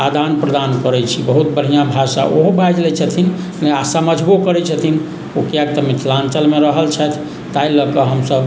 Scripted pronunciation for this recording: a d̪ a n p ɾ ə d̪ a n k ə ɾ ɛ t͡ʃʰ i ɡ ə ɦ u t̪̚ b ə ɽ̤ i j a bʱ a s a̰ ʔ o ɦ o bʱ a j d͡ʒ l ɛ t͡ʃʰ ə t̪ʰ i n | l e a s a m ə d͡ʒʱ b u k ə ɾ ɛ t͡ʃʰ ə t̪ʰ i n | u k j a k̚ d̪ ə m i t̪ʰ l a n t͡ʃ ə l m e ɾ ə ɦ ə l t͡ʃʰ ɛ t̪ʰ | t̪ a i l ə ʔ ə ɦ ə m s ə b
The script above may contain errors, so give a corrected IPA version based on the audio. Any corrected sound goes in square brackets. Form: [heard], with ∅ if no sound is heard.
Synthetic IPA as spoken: a d̪ a n p ɾ ə d̪ a n k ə ɾ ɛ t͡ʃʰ i [b] ə ɦ u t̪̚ b ə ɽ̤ i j a bʱ a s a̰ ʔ o ɦ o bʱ a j d͡ʒ l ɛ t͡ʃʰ ə t̪ʰ i n | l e a s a m ə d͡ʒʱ b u k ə ɾ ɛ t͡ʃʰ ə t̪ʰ i n | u k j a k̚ [t̪] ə m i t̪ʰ l a n t͡ʃ ə l m e ɾ ə ɦ ə l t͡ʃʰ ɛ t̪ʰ | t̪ a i l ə [k] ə ɦ ə m s ə b